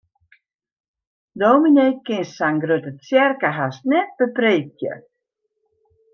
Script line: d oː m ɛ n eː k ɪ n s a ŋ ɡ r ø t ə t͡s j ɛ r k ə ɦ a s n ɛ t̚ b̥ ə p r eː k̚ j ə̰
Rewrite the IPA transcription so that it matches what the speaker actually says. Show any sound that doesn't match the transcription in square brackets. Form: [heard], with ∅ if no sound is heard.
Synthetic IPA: d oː m [i] n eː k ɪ n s a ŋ ɡ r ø t ə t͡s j ɛ r k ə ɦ a s n ɛ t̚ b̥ ə p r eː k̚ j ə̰